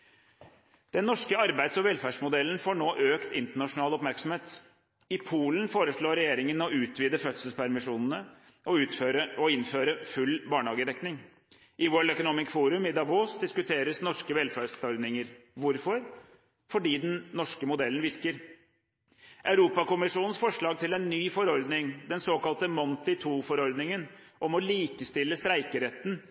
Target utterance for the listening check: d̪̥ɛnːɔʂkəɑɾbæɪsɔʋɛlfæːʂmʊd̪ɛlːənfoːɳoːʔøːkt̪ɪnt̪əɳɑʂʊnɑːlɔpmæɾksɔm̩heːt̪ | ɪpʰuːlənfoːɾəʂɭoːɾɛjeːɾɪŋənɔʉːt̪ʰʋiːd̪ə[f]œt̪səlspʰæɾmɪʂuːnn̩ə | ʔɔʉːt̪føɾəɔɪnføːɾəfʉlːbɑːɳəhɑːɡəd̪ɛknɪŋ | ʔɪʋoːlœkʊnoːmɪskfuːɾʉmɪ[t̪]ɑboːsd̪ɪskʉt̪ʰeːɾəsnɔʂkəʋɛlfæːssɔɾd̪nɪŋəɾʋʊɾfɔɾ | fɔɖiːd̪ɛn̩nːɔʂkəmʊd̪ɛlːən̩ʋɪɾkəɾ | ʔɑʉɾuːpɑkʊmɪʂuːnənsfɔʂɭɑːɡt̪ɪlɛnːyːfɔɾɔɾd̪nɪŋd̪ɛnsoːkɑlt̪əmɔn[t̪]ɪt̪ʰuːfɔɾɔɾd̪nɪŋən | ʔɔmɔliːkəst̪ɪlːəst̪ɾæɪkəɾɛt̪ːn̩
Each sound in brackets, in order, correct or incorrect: correct, incorrect, correct

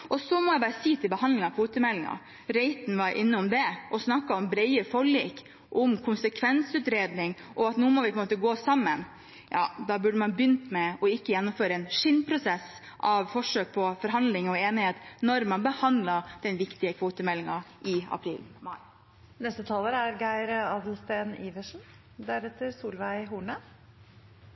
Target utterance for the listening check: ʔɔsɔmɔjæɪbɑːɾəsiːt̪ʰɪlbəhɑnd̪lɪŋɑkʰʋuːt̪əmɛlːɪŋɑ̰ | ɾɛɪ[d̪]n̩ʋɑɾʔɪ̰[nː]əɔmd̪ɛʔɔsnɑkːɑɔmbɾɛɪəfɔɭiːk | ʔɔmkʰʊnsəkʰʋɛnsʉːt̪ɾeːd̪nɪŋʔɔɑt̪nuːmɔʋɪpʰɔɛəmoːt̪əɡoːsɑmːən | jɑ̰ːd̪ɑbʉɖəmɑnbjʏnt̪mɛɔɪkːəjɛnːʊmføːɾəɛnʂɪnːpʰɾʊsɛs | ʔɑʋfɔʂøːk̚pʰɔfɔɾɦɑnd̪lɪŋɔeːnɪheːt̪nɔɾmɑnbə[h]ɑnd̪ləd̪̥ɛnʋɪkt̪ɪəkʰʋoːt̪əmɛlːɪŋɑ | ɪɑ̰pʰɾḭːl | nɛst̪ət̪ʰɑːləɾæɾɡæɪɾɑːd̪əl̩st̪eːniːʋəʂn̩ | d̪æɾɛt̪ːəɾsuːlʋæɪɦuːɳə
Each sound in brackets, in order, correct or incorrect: incorrect, correct, correct

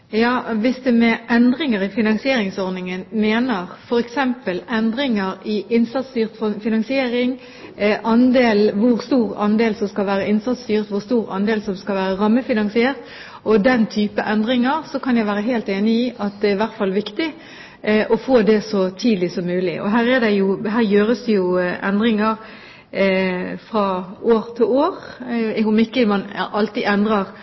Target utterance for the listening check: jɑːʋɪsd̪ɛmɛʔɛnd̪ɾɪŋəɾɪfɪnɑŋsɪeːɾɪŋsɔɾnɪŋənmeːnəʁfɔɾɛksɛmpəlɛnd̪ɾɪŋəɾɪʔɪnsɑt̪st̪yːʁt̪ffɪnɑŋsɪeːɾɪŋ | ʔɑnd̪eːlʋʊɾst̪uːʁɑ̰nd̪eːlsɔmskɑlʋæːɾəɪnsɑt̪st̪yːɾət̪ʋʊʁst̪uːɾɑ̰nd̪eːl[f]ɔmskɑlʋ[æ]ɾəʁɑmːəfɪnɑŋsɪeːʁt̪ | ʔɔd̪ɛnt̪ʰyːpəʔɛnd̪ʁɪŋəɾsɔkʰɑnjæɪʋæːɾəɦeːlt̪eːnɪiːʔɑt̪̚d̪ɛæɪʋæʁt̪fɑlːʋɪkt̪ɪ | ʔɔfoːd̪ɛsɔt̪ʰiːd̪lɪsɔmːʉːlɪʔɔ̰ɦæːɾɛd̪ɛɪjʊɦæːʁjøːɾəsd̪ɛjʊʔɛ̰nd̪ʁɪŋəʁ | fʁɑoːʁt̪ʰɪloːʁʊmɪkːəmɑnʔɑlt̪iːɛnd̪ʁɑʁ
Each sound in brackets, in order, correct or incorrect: incorrect, incorrect

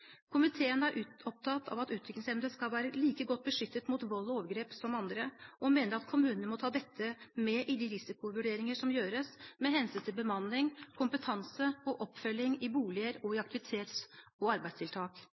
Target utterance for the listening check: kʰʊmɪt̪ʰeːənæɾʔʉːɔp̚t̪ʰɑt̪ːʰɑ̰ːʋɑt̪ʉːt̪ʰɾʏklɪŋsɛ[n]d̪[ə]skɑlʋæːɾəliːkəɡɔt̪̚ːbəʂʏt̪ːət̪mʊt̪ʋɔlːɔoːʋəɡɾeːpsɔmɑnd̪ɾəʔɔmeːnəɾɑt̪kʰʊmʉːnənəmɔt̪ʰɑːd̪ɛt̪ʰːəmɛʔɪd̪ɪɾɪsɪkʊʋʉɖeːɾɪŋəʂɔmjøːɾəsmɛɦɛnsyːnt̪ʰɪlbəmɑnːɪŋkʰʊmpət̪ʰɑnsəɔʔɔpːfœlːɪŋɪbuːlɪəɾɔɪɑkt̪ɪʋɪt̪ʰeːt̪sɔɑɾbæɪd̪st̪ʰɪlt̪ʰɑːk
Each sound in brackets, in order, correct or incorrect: incorrect, correct

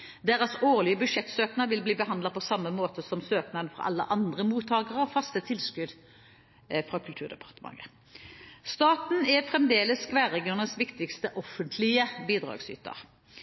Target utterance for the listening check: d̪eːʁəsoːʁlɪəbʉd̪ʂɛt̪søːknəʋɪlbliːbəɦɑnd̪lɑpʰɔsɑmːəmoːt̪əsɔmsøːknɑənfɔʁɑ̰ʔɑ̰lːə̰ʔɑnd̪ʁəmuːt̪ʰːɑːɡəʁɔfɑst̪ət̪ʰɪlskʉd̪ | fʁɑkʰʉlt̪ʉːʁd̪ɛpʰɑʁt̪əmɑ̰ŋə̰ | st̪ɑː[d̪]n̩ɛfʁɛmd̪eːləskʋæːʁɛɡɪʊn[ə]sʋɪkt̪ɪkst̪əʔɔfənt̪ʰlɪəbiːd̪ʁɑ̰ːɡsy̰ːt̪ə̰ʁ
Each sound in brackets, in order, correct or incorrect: incorrect, correct

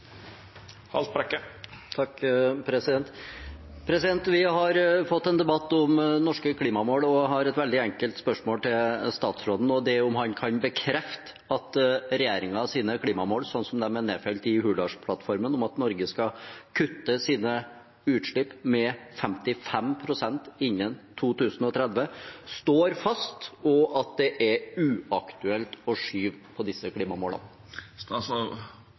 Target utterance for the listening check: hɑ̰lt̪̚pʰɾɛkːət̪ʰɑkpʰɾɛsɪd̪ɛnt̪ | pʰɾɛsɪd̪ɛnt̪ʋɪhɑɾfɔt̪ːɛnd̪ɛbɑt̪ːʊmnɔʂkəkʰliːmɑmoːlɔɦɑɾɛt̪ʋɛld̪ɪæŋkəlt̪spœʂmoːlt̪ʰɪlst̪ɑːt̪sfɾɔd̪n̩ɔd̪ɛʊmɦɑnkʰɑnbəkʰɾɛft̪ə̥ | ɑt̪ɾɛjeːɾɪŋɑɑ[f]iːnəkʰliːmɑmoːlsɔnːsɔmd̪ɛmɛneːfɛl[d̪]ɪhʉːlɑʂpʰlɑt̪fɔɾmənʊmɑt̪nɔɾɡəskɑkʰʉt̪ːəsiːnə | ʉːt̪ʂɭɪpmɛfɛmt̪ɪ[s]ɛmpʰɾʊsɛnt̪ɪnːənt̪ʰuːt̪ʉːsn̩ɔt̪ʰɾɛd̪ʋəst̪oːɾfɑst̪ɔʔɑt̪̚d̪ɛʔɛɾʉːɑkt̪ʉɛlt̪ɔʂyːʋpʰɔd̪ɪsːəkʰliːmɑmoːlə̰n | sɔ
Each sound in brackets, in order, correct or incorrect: incorrect, incorrect, incorrect

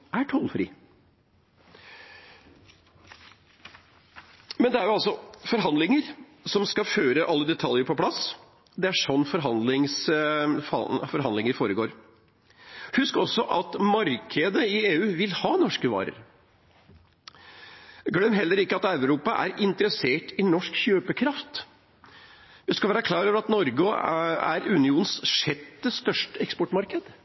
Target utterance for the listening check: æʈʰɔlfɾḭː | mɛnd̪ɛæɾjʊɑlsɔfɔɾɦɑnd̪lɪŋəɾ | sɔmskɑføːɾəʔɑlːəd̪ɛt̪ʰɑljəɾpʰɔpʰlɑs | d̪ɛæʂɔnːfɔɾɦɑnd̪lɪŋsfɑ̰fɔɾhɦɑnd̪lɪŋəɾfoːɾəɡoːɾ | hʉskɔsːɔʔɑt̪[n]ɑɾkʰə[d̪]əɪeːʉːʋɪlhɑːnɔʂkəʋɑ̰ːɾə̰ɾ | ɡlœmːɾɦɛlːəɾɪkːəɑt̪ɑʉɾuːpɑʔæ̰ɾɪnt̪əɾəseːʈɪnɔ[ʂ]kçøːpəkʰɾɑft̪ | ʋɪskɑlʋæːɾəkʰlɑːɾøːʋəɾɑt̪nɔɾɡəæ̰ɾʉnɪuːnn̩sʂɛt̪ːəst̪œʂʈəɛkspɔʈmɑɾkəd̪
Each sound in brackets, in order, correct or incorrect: incorrect, correct, correct

